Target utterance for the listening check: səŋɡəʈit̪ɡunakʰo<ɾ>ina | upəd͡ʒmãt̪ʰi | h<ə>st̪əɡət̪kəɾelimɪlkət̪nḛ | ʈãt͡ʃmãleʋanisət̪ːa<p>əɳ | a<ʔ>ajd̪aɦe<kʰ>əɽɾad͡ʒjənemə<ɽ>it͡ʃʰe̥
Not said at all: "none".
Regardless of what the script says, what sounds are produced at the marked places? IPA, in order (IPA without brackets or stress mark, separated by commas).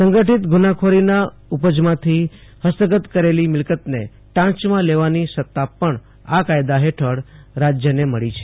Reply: ɾ, ə, p, k, ʈʰ, ɭ